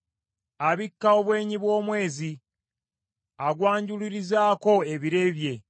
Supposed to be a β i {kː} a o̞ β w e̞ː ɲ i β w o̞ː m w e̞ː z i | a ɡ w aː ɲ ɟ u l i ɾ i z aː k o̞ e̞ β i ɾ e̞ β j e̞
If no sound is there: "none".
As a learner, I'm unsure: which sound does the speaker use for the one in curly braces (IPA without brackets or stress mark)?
kː